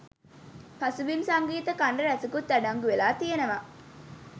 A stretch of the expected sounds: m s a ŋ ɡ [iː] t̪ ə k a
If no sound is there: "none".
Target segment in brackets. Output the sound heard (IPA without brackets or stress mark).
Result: iː